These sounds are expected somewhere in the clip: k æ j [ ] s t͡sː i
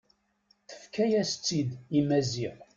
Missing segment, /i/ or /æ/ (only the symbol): æ